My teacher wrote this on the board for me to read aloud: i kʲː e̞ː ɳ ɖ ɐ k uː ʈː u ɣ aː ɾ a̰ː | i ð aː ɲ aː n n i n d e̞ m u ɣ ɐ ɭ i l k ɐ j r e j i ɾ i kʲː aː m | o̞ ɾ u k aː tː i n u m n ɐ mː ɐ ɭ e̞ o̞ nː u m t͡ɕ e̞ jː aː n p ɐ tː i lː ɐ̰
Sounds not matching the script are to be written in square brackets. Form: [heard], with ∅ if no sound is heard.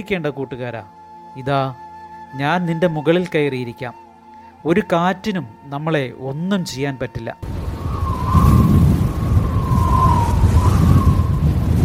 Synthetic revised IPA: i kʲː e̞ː ɳ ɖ ɐ k uː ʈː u ɣ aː ɾ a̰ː | i ð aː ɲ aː n n i n d e̞ m u ɣ ɐ ɭ i l k ɐ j r [i] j i ɾ i kʲː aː m | o̞ ɾ u k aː tː i n u m n ɐ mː ɐ ɭ e̞ o̞ nː u m t͡ɕ e̞ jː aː n p ɐ tː i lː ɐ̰